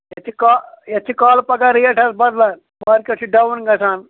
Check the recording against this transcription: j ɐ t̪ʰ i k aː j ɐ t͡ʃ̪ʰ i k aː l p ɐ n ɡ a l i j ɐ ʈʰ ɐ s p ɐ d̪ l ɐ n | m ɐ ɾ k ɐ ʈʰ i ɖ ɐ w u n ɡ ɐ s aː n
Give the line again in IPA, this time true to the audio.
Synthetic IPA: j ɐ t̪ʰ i k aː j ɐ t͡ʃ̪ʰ i k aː l p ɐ ɡ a ɾ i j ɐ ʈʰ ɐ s b ɐ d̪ l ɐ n | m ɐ ɾ k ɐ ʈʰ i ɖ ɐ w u n ɡ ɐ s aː n